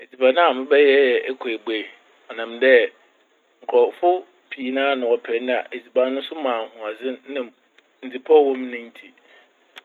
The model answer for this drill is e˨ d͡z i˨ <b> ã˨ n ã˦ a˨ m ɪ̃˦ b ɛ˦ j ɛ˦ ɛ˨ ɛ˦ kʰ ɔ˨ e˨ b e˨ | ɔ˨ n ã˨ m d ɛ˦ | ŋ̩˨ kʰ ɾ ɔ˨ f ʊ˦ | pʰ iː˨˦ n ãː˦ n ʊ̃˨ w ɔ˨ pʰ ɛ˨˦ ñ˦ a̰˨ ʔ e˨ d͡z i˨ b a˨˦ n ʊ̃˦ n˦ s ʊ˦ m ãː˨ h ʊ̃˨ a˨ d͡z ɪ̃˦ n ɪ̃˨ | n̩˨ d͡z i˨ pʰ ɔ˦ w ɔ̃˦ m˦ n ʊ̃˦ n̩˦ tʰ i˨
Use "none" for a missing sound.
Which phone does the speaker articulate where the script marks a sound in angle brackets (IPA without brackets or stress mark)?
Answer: b